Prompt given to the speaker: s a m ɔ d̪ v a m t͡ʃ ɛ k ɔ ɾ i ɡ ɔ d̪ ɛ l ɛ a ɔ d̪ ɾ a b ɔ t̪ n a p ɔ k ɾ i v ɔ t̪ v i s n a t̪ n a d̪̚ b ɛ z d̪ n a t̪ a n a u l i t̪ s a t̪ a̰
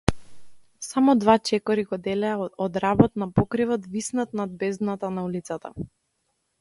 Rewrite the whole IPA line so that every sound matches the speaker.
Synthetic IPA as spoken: s a m ɔ d̪ v a t͡ʃ ɛ k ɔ ɾ i ɡ ɔ d̪ ɛ l ɛ a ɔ d̪ ɾ a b ɔ t̪ n a p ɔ k ɾ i v ɔ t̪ v i s n a t̪ n a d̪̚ b ɛ z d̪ n a t̪ a n a u l i t̪ s a t̪ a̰